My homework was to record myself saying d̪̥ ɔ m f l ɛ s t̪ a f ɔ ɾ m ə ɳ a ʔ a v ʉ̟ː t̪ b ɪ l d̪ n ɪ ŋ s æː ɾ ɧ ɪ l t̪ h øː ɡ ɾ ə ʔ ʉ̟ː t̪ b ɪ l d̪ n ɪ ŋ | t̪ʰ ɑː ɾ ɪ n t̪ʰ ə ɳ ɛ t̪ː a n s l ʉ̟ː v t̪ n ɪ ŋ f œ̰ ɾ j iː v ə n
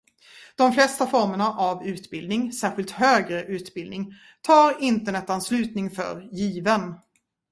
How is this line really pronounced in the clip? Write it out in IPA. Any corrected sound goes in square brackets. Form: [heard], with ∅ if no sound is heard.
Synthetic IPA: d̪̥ ɔ m f l ɛ s t̪ a f ɔ ɾ m ə ɳ a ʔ a v ʉ̟ː t̪ b ɪ l d̪ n ɪ ŋ s æː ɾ ɧ ɪ l t̪ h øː ɡ ɾ ə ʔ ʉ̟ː t̪ b ɪ l d̪ n ɪ ŋ | t̪ʰ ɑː ɾ ɪ n [t̪] ə ɳ ɛ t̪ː a n s l ʉ̟ː [∅] t̪ n ɪ ŋ f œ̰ ɾ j iː v ə n